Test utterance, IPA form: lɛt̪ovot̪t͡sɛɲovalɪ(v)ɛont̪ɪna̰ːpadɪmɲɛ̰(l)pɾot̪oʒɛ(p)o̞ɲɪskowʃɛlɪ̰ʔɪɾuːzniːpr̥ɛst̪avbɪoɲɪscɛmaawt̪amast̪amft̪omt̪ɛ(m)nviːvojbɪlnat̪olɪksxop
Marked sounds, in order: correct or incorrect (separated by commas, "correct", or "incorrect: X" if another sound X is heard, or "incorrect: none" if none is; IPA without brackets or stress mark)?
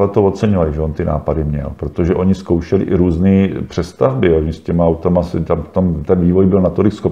incorrect: ʒ, correct, incorrect: ʔ, incorrect: none